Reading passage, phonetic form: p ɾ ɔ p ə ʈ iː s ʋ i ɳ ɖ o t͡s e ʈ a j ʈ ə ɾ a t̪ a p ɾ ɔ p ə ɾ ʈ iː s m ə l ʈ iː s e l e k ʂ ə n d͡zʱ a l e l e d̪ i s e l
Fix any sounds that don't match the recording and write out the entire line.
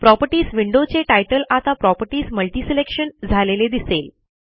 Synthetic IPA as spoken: p ɾ ɔ p ə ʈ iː s ʋ i ɳ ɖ o t͡s e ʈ a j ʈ ə l a t̪ a p ɾ ɔ p ə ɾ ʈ iː s m ə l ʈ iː s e l e k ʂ ə n d͡zʱ a l e l e d̪ i s e l

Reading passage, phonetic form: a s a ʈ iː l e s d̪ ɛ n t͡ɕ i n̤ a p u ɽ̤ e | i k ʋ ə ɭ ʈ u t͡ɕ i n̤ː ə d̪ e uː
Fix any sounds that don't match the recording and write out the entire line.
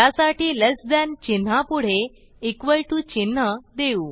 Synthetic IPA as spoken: a s a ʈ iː l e s d̪ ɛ n t͡ɕ i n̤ a p u ɽ̤ e | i k ʋ ə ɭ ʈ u t͡ɕ i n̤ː ə d̪ e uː

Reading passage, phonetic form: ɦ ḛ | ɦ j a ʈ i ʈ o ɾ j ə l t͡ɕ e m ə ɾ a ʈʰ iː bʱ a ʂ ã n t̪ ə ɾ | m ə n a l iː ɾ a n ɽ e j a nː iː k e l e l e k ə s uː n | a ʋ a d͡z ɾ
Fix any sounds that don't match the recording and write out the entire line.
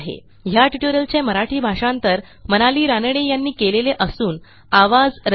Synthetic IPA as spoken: ɦ ḛ | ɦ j a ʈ i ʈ o ɾ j ə l t͡ɕ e m ə ɾ a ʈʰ iː bʱ a ʂ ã n t̪ ə ɾ | m ə n a l iː ɾ a n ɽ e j a nː iː k e l e l e ʔ ə s uː n | a ʋ a d͡z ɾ

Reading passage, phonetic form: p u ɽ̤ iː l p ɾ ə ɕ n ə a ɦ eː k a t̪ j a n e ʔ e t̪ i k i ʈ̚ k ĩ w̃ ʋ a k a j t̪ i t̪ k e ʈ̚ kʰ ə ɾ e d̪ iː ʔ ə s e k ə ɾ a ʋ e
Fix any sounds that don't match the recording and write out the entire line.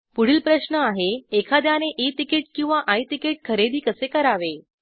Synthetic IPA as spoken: p u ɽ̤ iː l p ɾ ə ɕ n ə a ɦ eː kʰ a d̪ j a n e ʔ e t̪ i k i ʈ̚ k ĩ w̃ ʋ a ʔ a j t̪ i k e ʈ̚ kʰ ə ɾ e d̪ iː k ə s e k ə ɾ a ʋ e

